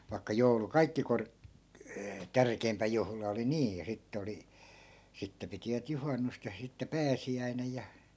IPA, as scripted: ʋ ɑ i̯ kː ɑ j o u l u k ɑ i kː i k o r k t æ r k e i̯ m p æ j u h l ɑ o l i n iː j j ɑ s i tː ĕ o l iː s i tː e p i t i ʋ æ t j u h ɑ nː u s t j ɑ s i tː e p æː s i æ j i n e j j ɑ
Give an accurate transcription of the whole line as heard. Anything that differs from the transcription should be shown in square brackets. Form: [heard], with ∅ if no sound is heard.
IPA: ʋ ɑ i̯ kː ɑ j o u l u k ɑ i kː i k o r k t æ r k e i̯ m p æ j u h l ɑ o l i n iː j j ɑ s i tː ĕ o l [i] s i tː e p i t i ʋ æ t j u h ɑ nː u s t j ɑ s i tː e p æː s i æ [∅] i n e j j ɑ